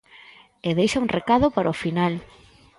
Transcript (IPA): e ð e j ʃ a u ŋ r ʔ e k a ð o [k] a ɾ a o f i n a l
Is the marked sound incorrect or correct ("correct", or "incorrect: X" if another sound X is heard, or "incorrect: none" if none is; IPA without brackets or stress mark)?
incorrect: p